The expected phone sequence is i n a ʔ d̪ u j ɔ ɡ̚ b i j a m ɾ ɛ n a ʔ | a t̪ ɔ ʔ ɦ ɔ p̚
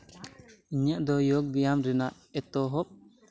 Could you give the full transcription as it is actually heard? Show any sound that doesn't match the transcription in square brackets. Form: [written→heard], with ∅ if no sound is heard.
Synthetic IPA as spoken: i [n→ɲ] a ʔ d̪ [u→ɔ] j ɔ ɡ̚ b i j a m ɾ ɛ n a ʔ | [a→ɛ] t̪ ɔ [ʔ→∅] ɦ ɔ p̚